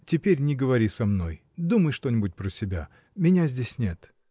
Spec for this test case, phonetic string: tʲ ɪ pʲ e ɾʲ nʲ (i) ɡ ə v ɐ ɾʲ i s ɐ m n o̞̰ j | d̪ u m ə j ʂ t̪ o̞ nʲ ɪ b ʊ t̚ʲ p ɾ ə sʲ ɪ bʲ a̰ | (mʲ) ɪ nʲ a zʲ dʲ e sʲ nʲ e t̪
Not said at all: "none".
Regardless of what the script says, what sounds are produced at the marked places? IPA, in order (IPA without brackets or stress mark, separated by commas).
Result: ɪ, mʲ